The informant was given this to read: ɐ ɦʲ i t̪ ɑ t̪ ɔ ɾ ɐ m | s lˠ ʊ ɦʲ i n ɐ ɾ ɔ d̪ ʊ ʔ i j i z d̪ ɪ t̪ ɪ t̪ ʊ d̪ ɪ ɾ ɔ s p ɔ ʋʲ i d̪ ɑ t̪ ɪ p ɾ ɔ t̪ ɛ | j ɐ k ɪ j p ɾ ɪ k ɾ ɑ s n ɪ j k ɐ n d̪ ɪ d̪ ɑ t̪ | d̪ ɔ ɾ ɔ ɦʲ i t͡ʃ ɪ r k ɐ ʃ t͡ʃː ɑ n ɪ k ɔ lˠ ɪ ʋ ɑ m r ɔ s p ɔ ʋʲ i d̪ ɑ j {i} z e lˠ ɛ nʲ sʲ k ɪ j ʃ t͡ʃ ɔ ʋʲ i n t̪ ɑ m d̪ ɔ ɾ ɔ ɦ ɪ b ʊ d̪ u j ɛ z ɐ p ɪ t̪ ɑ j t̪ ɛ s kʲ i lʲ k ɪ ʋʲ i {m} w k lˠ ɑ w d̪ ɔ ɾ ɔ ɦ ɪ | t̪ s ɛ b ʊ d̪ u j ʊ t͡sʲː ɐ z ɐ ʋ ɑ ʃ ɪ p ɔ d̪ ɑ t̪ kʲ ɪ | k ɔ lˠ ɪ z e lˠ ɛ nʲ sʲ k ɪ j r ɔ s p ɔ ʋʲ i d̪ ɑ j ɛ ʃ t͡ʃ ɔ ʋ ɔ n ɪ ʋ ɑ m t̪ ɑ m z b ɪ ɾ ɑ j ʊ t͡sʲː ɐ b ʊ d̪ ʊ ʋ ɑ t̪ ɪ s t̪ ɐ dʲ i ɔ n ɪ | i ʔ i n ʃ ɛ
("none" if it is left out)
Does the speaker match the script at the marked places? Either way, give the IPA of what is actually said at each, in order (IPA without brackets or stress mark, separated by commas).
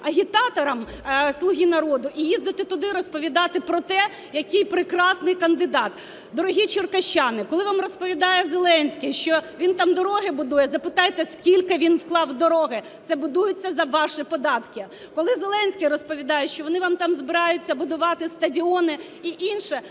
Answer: ɛ, n